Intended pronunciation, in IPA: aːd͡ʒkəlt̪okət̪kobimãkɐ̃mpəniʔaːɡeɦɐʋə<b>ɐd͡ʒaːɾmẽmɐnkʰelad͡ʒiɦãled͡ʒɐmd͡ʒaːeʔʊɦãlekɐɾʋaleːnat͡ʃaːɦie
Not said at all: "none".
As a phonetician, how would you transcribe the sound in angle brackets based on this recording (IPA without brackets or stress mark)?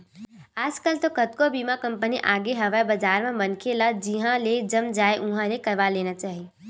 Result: b